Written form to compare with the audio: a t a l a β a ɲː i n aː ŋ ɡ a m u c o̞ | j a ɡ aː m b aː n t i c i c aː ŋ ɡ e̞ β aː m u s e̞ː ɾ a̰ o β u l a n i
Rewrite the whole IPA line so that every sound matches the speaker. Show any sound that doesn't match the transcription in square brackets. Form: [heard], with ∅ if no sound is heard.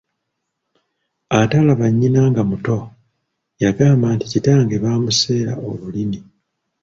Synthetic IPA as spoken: a t a l a β a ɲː i n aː ŋ ɡ a m u [t] o̞ | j a ɡ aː m b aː n t i c i [t] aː ŋ ɡ e̞ β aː m u s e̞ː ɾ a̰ o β u l [i] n i